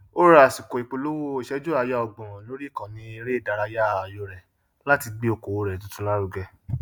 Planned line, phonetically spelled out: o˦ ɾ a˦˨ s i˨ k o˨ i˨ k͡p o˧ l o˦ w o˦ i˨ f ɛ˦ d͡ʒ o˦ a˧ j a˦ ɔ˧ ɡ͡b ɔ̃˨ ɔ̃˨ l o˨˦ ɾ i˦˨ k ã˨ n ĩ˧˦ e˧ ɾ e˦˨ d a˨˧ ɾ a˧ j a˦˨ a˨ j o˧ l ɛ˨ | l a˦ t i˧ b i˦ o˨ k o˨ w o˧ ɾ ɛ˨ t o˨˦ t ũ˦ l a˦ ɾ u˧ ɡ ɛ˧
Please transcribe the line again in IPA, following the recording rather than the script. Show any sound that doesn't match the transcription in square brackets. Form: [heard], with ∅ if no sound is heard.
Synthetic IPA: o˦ ɾ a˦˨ s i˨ k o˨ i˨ k͡p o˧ l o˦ w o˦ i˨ [ʃ] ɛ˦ d͡ʒ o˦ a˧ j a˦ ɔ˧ ɡ͡b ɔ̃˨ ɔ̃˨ l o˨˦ ɾ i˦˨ k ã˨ n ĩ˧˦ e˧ ɾ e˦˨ d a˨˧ ɾ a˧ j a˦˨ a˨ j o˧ [ɾ] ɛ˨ | l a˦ t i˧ [ɡ͡b] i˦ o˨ k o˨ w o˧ ɾ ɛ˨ t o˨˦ t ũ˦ l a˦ ɾ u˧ ɡ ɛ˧